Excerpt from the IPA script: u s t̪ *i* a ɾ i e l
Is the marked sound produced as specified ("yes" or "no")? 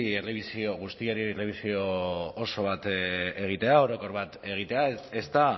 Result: yes